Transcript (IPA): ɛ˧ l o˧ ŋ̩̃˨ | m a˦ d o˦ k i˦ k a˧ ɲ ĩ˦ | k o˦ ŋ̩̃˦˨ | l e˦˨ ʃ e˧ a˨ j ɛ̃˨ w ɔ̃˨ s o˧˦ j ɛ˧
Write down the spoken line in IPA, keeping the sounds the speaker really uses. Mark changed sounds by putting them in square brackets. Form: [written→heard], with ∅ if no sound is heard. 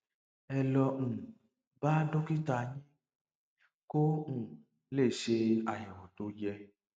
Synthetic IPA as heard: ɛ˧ l [o˧→ɔ˧] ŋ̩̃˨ | [m→b] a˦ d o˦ k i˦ [k→t] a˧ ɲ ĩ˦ | k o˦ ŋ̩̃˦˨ | l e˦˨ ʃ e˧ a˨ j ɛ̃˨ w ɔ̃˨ [s→t] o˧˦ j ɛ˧